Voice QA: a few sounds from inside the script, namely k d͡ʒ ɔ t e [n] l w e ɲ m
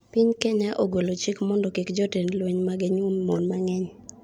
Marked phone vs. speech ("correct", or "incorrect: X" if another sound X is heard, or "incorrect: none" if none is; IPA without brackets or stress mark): correct